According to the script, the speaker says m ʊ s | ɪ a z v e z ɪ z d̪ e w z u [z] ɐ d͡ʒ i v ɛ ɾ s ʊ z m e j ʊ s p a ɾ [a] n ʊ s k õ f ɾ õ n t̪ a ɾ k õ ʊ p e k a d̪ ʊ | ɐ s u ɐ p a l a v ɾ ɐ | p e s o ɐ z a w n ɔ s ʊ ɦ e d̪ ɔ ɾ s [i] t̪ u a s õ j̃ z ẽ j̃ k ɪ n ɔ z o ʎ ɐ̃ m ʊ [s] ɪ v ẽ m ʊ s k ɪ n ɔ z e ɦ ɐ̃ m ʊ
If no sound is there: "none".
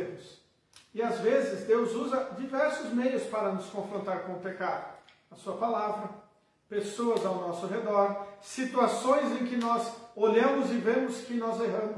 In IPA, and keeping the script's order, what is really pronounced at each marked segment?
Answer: z, ɐ, i, z

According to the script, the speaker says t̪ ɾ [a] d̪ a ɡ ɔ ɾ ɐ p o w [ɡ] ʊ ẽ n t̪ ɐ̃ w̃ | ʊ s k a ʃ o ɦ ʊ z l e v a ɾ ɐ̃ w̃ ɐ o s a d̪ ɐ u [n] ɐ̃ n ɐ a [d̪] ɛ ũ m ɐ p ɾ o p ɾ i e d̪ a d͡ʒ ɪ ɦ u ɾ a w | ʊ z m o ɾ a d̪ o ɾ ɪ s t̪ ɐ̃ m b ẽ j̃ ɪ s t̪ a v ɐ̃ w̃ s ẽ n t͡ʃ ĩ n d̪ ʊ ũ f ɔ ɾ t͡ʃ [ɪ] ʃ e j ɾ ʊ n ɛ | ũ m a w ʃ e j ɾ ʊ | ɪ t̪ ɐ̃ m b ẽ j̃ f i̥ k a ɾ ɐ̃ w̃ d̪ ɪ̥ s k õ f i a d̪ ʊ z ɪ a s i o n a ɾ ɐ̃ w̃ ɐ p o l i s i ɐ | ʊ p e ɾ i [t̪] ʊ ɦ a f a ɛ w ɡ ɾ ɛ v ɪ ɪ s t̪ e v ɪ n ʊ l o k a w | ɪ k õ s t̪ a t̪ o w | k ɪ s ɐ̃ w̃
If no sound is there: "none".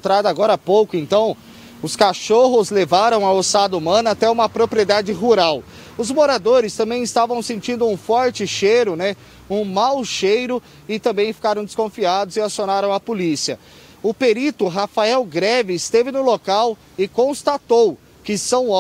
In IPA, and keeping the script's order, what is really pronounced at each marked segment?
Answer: a, k, m, t̪, ɪ, t̪

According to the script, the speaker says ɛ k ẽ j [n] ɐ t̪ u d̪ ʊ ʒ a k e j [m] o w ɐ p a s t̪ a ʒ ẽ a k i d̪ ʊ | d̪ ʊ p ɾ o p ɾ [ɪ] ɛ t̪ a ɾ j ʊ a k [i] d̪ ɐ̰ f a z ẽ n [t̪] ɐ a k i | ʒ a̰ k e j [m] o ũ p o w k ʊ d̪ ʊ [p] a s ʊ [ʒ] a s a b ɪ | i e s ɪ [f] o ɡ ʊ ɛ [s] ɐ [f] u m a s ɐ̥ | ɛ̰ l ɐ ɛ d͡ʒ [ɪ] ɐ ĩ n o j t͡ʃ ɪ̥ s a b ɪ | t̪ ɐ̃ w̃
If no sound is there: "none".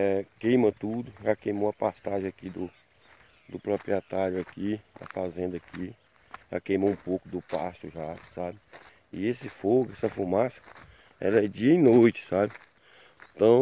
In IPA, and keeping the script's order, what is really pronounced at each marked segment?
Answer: m, m, i, i, d̪, m, p, ʒ, f, s, f, i

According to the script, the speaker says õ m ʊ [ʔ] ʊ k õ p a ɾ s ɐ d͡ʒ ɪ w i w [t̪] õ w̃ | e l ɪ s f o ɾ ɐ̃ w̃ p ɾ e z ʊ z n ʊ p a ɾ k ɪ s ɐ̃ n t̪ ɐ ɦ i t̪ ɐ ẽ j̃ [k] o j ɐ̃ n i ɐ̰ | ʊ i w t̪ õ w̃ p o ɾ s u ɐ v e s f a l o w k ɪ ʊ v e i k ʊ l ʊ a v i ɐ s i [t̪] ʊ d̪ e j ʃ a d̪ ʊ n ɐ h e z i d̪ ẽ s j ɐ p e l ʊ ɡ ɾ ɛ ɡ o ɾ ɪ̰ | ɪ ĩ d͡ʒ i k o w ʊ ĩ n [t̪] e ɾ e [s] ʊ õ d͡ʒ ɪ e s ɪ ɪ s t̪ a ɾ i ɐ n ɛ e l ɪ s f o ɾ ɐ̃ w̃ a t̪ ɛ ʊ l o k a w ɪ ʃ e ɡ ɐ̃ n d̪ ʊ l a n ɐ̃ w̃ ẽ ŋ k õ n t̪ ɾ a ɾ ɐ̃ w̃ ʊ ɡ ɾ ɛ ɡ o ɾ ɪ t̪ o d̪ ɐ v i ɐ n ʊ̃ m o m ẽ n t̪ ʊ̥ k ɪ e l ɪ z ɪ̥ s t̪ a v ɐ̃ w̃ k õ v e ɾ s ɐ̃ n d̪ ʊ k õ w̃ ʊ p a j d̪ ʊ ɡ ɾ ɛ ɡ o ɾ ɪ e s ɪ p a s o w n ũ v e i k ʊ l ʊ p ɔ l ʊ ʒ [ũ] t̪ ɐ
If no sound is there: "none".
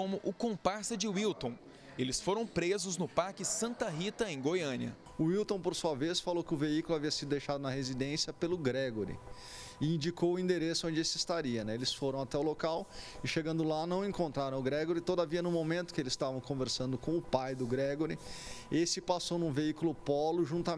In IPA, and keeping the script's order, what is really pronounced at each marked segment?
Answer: ʔ, t̪, ɡ, d̪, d̪, s, ũ

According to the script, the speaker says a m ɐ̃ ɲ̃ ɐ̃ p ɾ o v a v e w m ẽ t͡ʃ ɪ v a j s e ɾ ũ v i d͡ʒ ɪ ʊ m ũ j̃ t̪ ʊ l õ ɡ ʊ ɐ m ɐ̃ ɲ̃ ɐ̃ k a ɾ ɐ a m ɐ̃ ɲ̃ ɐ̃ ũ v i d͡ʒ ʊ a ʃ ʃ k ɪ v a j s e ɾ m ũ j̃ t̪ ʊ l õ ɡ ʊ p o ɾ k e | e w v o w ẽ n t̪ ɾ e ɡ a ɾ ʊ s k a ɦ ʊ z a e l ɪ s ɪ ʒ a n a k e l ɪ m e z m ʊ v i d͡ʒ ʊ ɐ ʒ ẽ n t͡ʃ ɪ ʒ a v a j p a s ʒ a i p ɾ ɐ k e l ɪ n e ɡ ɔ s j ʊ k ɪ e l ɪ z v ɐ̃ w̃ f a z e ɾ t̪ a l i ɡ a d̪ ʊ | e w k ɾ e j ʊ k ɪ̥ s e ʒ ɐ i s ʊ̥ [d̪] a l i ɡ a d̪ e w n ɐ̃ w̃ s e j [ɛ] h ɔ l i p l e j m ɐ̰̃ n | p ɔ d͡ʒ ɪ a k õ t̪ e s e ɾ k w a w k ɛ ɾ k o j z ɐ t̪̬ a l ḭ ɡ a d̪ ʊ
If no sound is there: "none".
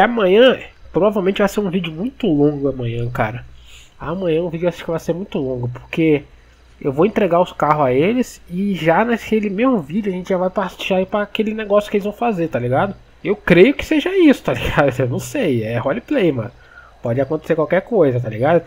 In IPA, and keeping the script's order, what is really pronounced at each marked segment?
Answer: t̪, ɛ

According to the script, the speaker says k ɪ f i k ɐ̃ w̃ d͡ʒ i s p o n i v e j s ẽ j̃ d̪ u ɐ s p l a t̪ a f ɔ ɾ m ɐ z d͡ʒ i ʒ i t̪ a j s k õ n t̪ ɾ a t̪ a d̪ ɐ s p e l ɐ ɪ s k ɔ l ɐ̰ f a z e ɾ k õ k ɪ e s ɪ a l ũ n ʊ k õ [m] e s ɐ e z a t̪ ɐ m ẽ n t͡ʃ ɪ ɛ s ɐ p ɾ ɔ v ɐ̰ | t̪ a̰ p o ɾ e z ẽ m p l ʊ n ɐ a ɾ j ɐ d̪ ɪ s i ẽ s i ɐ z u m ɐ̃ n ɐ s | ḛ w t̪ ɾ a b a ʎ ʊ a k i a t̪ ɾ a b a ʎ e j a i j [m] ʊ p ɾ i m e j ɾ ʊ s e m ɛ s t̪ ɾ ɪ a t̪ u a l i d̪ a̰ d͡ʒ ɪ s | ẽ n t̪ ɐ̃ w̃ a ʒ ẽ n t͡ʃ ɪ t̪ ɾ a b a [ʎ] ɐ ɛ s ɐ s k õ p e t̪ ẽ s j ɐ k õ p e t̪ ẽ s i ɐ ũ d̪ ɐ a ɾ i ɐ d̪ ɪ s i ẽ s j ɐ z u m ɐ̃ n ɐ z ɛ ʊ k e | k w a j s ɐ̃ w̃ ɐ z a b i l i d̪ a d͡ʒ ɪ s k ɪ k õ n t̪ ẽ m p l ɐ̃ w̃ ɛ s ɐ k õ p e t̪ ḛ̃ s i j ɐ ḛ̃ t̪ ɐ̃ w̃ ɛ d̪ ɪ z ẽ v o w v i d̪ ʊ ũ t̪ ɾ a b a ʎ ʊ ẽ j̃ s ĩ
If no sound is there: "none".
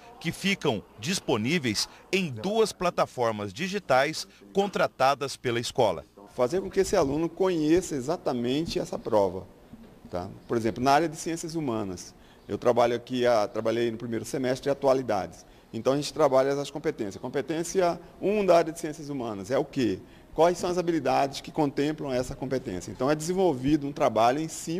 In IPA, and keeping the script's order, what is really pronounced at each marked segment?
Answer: ɲ, n, ʎ

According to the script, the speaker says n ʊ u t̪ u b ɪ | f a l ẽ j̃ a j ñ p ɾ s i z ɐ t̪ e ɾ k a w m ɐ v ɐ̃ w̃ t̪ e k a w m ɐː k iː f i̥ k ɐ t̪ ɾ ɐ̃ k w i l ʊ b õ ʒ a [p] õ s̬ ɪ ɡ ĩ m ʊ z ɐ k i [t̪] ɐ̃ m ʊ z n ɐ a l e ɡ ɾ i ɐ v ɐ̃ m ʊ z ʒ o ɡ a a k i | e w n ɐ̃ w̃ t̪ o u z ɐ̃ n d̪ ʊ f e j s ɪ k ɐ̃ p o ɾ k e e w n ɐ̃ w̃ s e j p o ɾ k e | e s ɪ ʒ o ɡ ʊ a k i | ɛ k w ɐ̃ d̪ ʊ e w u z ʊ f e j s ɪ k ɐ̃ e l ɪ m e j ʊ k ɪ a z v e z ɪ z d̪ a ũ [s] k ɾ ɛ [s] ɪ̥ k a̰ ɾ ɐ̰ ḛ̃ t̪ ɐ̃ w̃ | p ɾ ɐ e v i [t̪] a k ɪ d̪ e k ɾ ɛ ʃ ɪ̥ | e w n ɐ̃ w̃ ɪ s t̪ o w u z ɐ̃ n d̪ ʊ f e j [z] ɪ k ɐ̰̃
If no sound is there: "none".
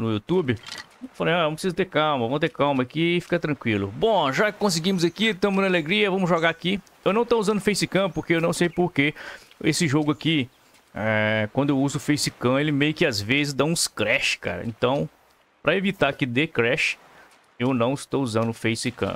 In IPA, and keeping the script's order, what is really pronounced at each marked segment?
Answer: k, t̪, s, ʃ, t̪, s

